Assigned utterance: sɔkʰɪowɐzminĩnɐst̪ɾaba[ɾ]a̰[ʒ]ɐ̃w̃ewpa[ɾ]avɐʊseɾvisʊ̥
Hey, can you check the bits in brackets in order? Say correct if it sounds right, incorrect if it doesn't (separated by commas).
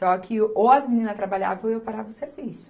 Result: incorrect, incorrect, correct